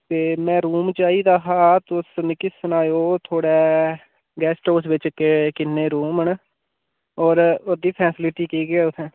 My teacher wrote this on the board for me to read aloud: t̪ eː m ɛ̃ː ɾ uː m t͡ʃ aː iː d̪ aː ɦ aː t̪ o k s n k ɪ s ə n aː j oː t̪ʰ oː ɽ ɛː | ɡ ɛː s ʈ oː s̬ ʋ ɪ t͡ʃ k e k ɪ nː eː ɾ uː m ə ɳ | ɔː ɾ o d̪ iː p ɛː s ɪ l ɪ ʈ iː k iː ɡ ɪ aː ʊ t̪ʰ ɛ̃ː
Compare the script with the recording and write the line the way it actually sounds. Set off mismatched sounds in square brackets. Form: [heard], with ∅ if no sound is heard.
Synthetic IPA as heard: t̪ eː m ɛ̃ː ɾ uː m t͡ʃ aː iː d̪ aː ɦ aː t̪ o [∅] s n k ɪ s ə n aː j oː t̪ʰ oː ɽ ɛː | ɡ ɛː s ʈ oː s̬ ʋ ɪ t͡ʃ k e k ɪ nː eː ɾ uː m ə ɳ | ɔː ɾ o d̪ iː [pʰ] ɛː s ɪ l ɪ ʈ iː k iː ɡ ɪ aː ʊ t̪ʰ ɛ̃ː